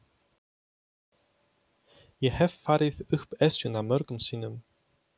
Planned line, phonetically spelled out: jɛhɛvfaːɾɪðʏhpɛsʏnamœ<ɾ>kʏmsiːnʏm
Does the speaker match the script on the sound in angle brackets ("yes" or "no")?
yes